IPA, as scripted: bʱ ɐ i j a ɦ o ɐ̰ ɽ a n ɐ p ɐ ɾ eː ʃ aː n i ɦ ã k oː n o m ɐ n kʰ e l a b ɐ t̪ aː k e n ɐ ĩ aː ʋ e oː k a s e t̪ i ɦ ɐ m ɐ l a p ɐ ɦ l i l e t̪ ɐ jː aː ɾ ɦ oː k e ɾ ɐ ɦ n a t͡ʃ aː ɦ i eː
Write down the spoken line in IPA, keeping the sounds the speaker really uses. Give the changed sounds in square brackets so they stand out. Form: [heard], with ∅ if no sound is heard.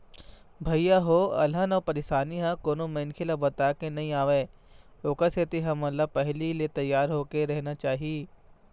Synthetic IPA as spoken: bʱ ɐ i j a ɦ o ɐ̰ [l] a n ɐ p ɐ ɾ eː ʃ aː n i ɦ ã k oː n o m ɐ n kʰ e l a b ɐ t̪ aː k e n ɐ ĩ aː ʋ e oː k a s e t̪ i ɦ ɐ m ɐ l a p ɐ ɦ l i l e t̪ ɐ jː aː ɾ ɦ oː k e ɾ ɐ ɦ n a t͡ʃ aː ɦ i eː